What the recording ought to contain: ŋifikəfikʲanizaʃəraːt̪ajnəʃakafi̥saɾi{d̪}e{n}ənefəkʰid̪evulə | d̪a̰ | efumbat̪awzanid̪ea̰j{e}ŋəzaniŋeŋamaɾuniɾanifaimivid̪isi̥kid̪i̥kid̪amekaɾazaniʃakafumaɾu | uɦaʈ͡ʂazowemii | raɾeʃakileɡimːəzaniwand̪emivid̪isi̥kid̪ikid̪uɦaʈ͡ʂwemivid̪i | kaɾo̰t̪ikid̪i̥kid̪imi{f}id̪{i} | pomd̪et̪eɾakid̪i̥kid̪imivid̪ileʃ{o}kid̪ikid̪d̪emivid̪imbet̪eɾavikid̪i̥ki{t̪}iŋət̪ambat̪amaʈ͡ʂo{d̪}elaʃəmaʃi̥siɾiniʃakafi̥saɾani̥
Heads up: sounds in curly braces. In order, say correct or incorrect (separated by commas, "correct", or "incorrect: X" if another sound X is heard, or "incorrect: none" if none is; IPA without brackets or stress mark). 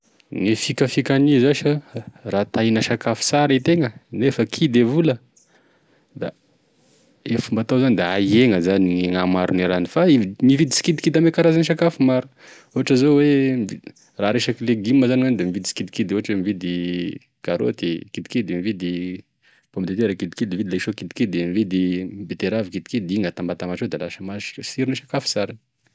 incorrect: t̪, incorrect: ŋ, correct, incorrect: v, correct, correct, incorrect: d̪, correct